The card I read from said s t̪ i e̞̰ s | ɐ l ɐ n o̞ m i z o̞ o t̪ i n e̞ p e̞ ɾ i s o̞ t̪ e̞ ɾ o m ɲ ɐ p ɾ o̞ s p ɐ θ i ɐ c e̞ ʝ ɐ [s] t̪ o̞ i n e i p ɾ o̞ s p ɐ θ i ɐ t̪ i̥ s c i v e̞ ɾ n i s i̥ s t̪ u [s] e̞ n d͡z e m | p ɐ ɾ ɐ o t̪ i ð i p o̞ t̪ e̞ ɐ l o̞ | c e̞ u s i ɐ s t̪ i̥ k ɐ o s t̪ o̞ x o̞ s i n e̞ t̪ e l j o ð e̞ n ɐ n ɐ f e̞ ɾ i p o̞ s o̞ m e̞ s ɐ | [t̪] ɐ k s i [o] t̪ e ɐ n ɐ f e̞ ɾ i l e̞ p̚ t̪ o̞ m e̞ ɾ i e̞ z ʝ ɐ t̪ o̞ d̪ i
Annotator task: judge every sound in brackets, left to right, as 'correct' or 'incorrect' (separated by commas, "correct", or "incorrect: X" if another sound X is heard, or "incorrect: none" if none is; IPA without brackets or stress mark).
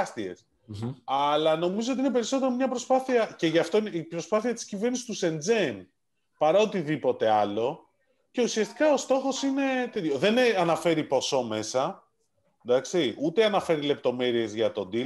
incorrect: f, correct, incorrect: d̪, incorrect: u